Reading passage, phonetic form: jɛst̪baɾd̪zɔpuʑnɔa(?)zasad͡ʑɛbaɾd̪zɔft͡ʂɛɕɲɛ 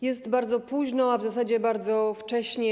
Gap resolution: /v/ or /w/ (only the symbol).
v